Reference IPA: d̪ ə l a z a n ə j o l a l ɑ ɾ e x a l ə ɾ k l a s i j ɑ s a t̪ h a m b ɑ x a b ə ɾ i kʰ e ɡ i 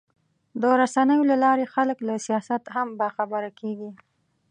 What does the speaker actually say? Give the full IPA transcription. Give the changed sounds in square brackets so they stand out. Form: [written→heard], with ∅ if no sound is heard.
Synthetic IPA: d̪ ə [l→ɾ] a [z→s] a n ə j o l a l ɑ ɾ e x a l ə [ɾ→∅] k l a s i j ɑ s a t̪ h a m b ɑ x a b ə ɾ [i→a] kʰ e ɡ i